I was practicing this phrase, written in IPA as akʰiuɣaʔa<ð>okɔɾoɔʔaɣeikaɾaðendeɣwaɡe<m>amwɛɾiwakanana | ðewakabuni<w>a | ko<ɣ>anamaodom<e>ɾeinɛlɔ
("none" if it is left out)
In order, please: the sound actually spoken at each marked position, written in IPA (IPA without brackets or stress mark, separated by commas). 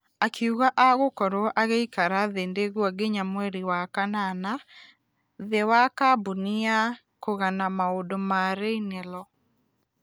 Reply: ɣ, ɲ, none, ɣ, a